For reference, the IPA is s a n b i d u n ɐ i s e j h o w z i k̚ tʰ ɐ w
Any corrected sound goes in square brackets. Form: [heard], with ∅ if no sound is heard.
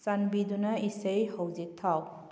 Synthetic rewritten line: s a n b i d u n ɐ i s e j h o w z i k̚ tʰ [a] w